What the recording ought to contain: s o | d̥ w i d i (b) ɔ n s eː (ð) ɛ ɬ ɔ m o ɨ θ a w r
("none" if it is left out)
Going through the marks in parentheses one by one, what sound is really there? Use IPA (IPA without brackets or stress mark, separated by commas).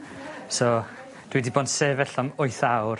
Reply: b, v